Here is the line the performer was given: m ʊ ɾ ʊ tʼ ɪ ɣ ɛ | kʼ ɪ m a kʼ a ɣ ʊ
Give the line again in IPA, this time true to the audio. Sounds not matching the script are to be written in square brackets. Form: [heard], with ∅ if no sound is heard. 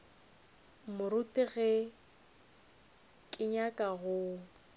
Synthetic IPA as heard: m ʊ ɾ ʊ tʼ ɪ ɣ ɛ | kʼ ɪ [ɲ] a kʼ a ɣ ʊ